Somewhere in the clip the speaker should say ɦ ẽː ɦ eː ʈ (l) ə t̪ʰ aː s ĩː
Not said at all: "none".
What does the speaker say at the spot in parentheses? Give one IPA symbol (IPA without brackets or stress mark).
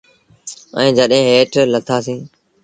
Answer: l